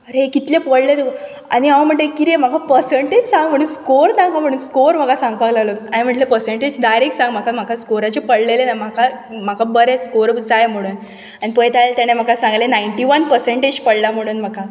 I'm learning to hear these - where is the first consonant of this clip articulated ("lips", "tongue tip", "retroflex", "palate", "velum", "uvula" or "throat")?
tongue tip